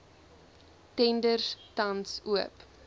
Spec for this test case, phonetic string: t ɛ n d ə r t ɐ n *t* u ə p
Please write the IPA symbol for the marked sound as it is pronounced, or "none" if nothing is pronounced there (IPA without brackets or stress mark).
s